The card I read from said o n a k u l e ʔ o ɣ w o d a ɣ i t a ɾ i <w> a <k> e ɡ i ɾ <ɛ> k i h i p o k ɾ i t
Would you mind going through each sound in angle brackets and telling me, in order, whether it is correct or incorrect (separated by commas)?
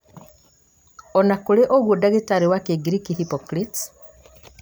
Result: correct, correct, incorrect